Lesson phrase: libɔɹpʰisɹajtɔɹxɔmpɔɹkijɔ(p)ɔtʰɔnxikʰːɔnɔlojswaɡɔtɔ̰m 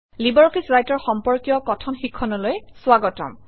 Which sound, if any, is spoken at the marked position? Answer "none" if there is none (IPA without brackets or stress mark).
k